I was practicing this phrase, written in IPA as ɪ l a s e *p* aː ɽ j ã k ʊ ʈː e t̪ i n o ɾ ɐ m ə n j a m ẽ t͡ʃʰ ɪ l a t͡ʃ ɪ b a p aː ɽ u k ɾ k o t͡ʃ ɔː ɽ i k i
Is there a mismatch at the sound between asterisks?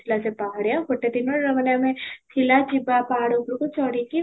no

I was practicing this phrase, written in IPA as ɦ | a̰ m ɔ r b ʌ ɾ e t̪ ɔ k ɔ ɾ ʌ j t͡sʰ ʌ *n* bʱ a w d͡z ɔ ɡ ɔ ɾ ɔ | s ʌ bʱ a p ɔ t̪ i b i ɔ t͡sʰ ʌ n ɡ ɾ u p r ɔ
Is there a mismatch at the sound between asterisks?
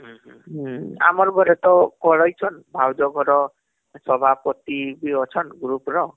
no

